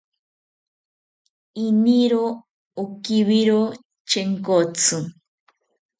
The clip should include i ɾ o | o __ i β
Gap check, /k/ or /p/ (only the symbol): k